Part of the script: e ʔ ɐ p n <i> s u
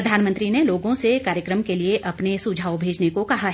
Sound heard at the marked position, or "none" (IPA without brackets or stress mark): e